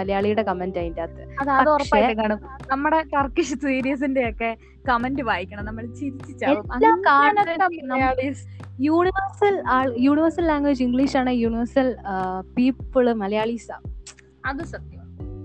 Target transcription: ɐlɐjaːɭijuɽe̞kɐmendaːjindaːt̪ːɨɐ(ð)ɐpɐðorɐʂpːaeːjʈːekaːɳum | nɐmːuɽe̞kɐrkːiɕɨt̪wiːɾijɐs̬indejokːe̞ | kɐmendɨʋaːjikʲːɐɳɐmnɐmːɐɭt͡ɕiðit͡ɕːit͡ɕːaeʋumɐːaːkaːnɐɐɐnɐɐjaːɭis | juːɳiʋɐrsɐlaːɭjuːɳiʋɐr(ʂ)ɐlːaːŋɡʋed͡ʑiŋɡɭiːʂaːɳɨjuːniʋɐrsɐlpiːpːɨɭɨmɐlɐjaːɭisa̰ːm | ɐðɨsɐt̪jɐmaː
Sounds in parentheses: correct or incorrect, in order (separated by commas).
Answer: correct, incorrect